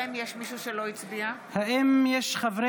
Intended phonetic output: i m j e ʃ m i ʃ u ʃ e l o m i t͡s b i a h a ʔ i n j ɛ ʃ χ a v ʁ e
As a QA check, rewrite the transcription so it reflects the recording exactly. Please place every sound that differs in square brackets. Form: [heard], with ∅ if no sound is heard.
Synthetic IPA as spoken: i m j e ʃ m i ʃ u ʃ e l o [∅] i t͡s b i a h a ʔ i [m] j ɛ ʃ χ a v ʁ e